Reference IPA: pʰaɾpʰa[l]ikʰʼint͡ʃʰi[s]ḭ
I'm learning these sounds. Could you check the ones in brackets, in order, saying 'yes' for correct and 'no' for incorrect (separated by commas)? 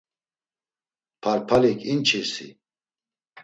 yes, yes